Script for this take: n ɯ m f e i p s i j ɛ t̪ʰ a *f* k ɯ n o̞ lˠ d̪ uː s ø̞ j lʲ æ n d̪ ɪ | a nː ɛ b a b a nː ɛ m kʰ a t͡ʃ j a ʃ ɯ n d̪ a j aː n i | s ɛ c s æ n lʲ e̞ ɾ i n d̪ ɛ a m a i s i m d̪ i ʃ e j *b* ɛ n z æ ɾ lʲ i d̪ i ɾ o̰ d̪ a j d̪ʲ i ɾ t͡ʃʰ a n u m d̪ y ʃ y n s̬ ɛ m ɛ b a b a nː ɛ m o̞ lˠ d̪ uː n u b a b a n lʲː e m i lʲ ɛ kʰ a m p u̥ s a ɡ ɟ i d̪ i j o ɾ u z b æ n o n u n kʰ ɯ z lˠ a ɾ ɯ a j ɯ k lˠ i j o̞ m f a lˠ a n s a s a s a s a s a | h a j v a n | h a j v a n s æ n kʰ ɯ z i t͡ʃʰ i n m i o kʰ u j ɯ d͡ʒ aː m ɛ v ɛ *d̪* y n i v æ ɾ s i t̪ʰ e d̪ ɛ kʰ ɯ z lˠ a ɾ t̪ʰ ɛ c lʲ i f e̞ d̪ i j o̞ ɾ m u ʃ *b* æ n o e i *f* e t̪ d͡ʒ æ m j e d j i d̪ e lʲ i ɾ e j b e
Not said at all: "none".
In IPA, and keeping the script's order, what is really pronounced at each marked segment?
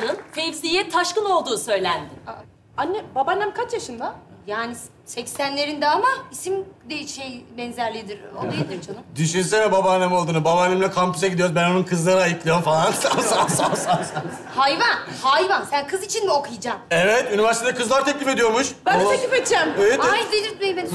ʃ, b, t̪, b, f

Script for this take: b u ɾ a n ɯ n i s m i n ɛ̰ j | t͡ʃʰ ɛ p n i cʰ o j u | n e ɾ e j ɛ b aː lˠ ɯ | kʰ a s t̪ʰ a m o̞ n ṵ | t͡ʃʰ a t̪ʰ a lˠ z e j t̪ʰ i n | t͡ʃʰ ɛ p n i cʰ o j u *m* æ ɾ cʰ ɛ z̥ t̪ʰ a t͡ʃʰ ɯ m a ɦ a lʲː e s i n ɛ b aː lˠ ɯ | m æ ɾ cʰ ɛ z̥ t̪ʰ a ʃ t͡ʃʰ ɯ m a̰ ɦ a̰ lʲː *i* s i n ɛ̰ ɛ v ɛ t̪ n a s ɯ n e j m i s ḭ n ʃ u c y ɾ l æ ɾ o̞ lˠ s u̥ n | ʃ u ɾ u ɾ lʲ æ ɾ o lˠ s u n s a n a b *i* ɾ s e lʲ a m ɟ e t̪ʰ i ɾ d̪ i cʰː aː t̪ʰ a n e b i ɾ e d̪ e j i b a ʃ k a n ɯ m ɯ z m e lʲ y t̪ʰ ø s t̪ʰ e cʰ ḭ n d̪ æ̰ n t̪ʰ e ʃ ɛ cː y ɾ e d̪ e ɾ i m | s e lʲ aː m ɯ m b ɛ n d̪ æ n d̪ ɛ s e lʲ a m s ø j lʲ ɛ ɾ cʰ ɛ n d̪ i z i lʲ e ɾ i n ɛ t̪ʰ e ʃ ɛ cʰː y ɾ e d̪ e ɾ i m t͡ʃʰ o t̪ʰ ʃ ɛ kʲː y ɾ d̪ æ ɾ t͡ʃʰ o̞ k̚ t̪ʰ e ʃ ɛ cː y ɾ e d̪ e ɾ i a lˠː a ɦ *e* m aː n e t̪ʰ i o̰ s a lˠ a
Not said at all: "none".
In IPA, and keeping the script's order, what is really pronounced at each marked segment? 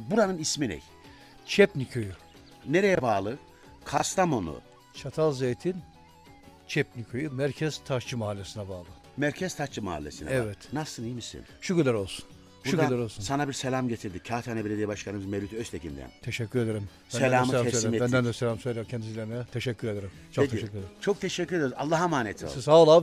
m, e, i, a

